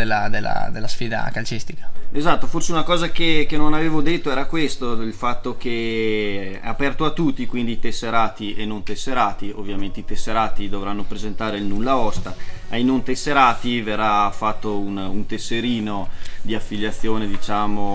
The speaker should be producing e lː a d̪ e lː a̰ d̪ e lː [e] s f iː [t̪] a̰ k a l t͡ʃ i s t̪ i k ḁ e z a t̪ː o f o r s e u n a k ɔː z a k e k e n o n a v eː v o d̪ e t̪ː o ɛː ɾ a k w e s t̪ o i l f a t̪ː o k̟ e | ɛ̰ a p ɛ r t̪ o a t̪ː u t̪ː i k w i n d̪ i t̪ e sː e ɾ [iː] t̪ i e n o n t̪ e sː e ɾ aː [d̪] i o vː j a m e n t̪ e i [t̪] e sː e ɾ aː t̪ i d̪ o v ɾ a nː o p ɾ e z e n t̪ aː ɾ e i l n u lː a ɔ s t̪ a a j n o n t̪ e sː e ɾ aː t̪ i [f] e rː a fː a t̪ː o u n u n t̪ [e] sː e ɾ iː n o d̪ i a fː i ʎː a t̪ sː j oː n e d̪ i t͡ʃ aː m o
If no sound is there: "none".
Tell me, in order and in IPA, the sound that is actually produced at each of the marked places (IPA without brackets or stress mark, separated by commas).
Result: a, d̪, aː, t̪, t̪, v, e